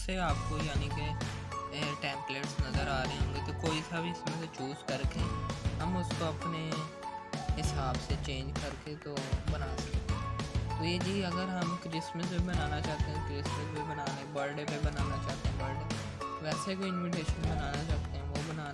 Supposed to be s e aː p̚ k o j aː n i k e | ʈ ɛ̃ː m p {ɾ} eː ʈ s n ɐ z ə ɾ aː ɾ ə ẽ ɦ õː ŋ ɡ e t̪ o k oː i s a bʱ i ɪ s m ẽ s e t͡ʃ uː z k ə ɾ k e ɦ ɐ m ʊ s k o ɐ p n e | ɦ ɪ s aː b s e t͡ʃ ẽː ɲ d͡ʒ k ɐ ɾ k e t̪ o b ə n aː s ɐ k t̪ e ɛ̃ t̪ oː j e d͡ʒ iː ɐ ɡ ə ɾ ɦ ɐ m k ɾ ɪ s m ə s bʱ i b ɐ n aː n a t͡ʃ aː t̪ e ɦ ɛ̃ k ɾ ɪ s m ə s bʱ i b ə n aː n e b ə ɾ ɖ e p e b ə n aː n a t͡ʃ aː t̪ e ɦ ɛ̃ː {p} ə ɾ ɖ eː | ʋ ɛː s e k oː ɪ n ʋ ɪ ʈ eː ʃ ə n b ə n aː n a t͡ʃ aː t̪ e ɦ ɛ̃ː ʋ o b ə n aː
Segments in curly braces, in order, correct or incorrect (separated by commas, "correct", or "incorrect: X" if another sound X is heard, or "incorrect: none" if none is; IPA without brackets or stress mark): incorrect: l, incorrect: b